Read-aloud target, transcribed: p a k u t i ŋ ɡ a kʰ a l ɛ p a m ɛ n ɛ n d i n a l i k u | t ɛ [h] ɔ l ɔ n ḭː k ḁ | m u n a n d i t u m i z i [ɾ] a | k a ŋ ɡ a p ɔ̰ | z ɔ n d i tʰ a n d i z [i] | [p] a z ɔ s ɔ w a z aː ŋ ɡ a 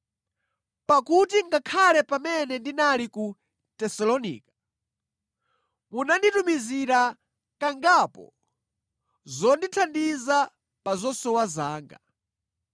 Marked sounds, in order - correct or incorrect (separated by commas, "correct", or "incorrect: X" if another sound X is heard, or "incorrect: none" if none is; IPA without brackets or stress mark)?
incorrect: s, correct, incorrect: a, correct